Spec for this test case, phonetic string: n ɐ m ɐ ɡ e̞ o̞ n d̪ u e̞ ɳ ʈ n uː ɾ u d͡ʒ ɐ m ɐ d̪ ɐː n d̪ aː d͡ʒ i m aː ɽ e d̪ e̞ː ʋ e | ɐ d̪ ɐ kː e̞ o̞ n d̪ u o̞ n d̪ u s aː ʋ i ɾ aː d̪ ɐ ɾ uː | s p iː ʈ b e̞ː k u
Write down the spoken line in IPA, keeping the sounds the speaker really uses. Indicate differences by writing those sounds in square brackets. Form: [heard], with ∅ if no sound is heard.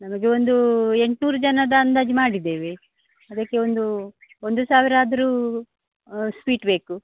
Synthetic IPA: n ɐ m ɐ ɡ e̞ o̞ n d̪ u e̞ ɳ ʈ n uː ɾ u d͡ʒ ɐ [n] ɐ d̪ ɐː n d̪ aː d͡ʒ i m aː ɽ [i] d̪ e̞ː ʋ e | ɐ d̪ ɐ kː e̞ o̞ n d̪ u o̞ n d̪ u s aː ʋ i ɾ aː d̪ ɐ ɾ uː | s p iː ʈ b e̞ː k u